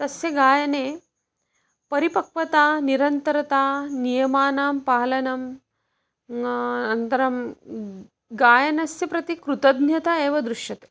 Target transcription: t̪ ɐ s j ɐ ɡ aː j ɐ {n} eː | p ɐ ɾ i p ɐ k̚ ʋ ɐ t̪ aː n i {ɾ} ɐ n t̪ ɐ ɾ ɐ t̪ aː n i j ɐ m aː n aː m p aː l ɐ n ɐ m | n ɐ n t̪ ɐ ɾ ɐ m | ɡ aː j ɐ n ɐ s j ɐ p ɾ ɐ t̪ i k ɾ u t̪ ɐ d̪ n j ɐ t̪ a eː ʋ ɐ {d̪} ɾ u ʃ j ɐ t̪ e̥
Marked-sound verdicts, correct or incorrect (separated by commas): correct, correct, correct